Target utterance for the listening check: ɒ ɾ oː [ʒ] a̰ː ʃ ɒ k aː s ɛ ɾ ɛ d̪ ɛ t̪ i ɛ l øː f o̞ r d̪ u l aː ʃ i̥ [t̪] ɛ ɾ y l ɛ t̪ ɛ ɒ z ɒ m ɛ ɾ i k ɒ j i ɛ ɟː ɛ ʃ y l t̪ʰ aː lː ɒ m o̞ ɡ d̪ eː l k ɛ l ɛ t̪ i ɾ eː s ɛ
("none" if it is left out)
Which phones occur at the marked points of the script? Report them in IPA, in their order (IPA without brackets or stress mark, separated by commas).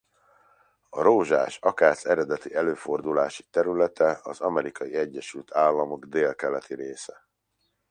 ʒ, t̪